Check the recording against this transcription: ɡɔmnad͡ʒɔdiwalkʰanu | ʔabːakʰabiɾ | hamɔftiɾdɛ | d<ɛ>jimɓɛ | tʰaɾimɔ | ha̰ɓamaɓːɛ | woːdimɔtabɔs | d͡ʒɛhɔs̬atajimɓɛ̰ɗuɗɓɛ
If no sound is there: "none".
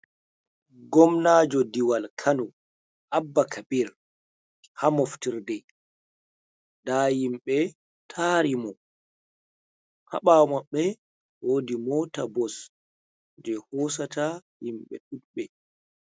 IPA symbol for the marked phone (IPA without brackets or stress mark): a